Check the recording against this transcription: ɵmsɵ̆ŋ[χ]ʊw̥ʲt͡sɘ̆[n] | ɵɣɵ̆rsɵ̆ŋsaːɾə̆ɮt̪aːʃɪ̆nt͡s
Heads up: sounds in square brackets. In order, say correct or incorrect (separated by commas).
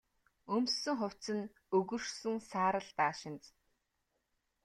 correct, correct